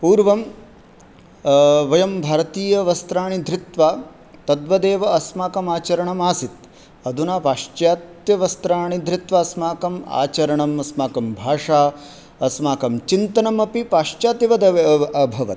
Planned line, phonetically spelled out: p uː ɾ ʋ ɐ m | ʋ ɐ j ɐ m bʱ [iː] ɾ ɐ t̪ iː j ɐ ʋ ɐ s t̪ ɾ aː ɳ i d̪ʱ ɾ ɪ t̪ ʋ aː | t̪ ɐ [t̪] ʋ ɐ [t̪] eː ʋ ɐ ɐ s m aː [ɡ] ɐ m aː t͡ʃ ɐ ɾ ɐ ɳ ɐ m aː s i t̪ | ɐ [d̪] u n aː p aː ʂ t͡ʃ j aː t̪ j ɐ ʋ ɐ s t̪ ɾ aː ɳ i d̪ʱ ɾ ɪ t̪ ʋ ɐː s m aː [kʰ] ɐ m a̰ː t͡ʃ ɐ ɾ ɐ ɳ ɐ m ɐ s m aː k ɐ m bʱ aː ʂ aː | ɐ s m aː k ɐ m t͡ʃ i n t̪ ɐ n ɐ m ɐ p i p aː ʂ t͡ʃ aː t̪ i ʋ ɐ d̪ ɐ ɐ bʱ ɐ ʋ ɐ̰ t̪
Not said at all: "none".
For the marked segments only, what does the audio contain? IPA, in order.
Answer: aː, d̪, d̪, k, d̪, k

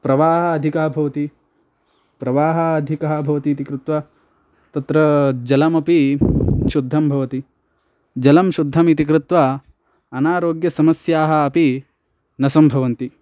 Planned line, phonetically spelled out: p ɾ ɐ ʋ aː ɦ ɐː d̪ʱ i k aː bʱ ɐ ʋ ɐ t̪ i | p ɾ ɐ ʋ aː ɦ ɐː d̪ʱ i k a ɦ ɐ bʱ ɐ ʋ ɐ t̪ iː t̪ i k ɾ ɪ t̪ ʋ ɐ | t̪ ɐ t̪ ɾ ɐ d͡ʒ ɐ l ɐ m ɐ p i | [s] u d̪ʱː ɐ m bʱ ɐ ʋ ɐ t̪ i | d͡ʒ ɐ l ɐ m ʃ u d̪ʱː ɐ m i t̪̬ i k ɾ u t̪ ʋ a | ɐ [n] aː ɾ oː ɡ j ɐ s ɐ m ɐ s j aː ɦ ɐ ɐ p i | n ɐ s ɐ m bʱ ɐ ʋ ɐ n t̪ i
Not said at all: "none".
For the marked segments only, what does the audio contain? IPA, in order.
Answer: ʃ, n

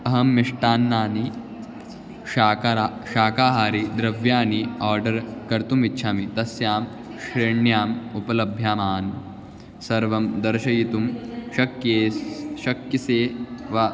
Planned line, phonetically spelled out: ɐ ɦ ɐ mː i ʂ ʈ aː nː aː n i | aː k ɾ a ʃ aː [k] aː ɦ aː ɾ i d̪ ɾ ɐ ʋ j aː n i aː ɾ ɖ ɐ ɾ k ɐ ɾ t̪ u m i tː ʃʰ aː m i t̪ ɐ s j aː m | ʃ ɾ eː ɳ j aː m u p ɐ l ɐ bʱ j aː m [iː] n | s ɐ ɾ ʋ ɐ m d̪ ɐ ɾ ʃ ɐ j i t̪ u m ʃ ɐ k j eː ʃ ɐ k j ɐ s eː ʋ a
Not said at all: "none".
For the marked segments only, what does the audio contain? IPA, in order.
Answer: k, aː

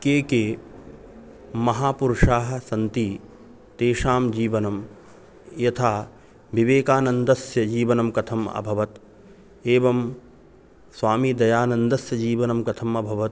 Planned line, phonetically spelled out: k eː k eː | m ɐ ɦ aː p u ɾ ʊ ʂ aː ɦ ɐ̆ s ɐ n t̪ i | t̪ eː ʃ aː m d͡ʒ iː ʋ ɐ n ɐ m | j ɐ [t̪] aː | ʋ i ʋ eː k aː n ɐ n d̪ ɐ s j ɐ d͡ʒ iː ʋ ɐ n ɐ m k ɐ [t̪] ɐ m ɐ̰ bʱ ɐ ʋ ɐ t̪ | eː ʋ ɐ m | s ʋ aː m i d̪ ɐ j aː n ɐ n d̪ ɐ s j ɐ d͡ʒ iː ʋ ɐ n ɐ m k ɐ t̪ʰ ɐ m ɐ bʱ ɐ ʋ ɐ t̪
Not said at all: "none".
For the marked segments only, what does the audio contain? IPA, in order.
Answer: t̪ʰ, t̪ʰ

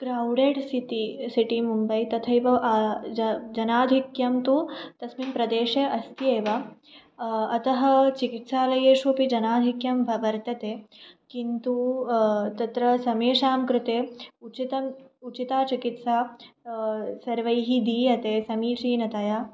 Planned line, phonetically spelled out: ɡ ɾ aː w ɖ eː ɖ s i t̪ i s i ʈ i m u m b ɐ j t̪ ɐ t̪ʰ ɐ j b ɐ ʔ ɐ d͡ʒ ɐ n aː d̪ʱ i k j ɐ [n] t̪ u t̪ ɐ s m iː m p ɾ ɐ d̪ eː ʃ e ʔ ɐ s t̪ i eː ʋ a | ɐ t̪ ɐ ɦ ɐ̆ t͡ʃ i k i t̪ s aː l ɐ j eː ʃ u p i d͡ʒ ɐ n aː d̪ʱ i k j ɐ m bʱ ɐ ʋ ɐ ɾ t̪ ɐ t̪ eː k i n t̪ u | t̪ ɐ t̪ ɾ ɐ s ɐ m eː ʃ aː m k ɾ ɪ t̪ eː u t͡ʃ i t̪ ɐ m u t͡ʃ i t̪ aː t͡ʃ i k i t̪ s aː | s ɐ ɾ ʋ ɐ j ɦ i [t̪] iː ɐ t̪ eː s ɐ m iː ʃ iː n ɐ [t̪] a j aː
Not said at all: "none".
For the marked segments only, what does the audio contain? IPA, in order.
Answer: m, d̪, t̪

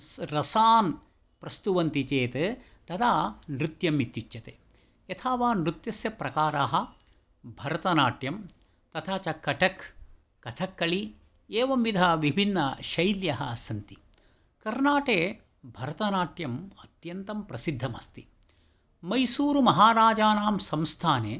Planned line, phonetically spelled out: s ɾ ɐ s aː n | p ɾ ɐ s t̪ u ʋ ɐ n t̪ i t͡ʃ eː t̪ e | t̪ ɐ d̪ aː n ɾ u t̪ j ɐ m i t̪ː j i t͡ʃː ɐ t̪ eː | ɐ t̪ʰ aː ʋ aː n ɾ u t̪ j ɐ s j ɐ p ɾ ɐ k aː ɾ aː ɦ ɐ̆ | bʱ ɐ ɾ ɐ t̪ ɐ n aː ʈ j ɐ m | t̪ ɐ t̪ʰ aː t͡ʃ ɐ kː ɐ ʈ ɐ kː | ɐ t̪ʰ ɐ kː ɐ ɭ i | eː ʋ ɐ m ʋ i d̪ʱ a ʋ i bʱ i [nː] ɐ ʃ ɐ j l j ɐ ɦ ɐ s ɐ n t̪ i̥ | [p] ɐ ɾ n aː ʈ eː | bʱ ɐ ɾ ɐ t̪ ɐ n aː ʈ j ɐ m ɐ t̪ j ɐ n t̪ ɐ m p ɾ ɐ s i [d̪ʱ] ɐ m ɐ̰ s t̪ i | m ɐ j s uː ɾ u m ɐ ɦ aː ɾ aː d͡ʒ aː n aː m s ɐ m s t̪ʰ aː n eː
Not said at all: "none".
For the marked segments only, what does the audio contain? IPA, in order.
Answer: nː, k, d̪ʱː

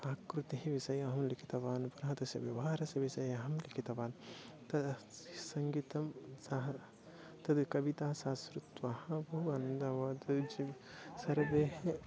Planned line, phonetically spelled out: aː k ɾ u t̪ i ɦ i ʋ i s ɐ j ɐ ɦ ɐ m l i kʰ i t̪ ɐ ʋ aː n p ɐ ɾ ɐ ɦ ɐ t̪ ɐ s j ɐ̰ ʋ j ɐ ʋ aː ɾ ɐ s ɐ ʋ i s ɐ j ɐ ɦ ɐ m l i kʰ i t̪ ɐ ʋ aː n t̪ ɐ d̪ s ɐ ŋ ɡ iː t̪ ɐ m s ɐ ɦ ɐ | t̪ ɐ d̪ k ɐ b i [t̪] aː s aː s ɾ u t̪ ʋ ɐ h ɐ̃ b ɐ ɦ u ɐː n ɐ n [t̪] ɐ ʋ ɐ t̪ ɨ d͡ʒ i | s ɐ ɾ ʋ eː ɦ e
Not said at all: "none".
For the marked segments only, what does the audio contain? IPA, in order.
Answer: t̪, d̪

